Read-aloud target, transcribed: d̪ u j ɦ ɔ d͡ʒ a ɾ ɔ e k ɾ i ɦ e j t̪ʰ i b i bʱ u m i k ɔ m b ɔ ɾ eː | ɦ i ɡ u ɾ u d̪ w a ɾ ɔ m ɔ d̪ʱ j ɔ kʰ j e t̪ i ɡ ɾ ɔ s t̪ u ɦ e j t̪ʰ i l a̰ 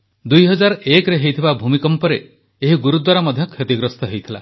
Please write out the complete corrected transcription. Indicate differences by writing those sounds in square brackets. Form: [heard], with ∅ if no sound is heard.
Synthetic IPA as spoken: d̪ u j ɦ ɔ d͡ʒ a ɾ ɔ e k ɾ [e] ɦ e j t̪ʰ i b [a] bʱ u m i k ɔ m [p] ɔ ɾ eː | ɦ i ɡ u ɾ u d̪ w a ɾ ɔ m ɔ d̪ʱ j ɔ kʰ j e t̪ i ɡ ɾ ɔ s t̪ [ɔ] ɦ e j t̪ʰ i l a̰